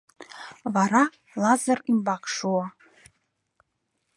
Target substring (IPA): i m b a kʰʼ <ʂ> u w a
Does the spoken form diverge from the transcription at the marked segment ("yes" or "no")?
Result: no